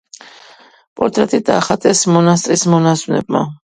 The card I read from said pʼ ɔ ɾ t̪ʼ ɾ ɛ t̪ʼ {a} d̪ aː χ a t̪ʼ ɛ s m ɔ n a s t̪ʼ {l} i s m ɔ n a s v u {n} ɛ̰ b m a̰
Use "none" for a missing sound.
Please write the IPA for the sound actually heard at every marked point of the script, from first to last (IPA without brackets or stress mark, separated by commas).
i, ɾ, n